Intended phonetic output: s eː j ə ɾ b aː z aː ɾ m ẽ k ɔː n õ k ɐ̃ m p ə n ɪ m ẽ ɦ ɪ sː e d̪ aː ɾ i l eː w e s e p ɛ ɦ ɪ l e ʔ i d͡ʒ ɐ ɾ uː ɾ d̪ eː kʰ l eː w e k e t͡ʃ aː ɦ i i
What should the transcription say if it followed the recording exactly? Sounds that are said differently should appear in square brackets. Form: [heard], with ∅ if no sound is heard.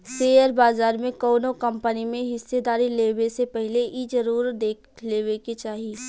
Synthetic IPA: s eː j ə ɾ b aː z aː ɾ m ẽ k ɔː n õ k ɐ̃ m p ə n [i] m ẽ ɦ ɪ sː e d̪ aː ɾ i l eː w e s e p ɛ ɦ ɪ l e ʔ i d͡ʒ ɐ ɾ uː ɾ d̪ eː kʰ l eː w e k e t͡ʃ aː ɦ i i